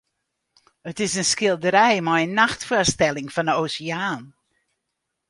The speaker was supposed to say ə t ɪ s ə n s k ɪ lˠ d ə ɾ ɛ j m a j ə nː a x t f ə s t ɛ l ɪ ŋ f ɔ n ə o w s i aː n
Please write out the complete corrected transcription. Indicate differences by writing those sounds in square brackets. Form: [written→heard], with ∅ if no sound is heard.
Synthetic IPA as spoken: ə t ɪ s ə n s k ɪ lˠ d ə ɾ ɛ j m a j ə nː a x t f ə s t ɛ l ɪ ŋ f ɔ n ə o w s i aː n

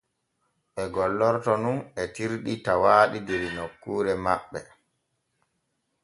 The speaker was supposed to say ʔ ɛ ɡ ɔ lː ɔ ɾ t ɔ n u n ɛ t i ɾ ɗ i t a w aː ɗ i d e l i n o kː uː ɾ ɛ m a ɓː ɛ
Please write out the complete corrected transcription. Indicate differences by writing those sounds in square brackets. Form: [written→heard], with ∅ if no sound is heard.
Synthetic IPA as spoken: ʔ ɛ ɡ ɔ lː ɔ ɾ t ɔ n u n ɛ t i ɾ ɗ i t a w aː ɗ i d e [l→ɾ] i n o kː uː ɾ ɛ m a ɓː ɛ

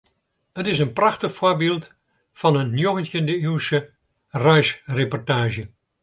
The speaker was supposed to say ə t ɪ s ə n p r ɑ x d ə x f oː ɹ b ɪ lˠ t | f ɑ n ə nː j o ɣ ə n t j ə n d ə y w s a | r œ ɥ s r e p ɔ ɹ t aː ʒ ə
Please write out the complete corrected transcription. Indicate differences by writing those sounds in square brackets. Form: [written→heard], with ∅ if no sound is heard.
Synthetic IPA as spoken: ə t ɪ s ə n p r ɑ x [d→t] ə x f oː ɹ b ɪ lˠ t | f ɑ n ə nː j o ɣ ə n t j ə n d ə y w s [a→ə] | r œ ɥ s r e p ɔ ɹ t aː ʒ ə

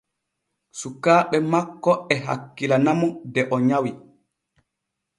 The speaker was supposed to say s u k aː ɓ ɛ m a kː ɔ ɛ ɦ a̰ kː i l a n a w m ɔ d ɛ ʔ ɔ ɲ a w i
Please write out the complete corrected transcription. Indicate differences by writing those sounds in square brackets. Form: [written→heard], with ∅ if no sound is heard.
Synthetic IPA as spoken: s u k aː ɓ ɛ m a kː ɔ ɛ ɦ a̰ kː i l a n a [w→∅] m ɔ d ɛ ʔ ɔ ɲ a w i

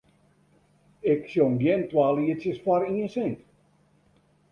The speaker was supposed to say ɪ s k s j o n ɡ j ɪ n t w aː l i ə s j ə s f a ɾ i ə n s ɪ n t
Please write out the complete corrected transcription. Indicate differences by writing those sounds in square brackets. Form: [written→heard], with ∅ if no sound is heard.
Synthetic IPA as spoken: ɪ [s→∅] k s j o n ɡ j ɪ n t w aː l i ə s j ə s f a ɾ i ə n s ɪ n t

